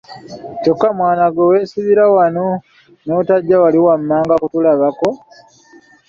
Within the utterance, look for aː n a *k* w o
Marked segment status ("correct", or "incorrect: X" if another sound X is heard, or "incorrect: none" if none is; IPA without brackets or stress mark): incorrect: ɡ